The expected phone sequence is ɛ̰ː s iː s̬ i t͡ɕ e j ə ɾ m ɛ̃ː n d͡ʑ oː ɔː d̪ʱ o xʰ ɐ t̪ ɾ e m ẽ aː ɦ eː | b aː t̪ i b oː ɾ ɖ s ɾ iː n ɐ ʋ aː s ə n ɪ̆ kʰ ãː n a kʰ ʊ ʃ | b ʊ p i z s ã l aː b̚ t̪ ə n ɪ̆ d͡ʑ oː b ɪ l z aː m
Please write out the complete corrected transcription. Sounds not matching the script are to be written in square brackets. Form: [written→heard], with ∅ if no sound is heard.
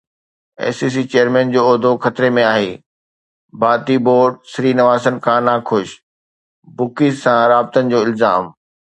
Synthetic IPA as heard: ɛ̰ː s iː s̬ i t͡ɕ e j ə ɾ m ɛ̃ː n d͡ʑ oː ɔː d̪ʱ o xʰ ɐ t̪ ɾ e m ẽ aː ɦ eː | b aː t̪ i b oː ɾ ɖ s ɾ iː n ɐ ʋ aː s ə n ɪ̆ kʰ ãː n a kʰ ʊ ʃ | b ʊ [p→k] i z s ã [l→ɾ] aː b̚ t̪ ə n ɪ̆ d͡ʑ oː [b→∅] ɪ l z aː m